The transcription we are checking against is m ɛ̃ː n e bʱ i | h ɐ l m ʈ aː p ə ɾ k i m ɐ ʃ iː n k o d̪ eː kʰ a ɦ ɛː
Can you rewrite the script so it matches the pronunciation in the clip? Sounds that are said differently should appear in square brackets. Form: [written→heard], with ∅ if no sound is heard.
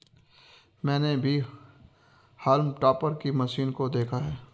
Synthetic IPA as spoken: m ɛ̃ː n e bʱ i | h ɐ l m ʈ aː p ə ɾ k i m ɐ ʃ iː n k o d̪ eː kʰ a ɦ ɛː